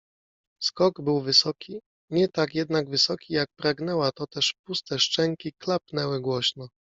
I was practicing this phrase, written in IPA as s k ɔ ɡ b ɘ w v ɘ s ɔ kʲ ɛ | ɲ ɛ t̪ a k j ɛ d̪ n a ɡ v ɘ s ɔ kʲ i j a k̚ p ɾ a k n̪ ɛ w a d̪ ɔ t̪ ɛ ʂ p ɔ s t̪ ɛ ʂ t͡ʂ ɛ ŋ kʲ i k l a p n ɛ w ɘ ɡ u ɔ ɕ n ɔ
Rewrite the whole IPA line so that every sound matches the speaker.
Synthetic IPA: s k ɔ ɡ b ɘ w v ɘ s ɔ kʲ i | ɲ ɛ t̪ a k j ɛ d̪ n a ɡ v ɘ s ɔ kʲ i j a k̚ p ɾ a ɡ n̪ ɛ w a t̪ ɔ t̪ ɛ ʂ p u s t̪ ɛ ʂ t͡ʂ ɛ ŋ kʲ i k l a p n ɛ w ɘ ɡ w ɔ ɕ n ɔ